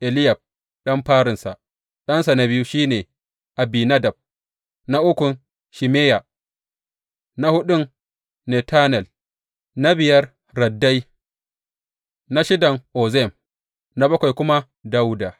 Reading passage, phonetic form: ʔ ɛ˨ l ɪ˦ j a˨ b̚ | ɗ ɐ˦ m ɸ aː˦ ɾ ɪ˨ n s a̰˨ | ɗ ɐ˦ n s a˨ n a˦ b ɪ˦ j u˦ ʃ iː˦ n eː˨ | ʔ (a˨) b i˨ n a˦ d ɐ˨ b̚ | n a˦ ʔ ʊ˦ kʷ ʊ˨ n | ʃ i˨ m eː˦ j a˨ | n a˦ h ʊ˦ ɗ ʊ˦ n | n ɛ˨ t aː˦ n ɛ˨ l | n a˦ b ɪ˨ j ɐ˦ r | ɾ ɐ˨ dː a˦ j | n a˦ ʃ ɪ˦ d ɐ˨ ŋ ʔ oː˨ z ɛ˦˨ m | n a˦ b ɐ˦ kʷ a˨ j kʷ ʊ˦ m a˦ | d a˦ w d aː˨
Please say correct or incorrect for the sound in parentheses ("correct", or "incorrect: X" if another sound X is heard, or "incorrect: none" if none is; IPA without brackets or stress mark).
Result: correct